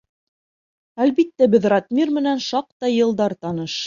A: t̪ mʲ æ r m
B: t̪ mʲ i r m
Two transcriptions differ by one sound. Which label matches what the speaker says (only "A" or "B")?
B